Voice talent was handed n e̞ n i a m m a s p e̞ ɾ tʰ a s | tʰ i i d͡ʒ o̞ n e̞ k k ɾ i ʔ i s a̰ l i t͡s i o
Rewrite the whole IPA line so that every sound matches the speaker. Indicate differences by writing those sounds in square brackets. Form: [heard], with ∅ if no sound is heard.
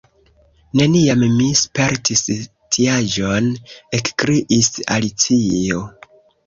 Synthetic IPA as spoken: n e̞ n i a m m [i] s p e̞ ɾ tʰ [i] s | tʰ i [a] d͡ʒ o̞ n e̞ k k ɾ i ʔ i s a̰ l i t͡s i o